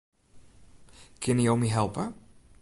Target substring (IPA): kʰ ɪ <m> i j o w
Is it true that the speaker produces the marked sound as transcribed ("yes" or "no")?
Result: no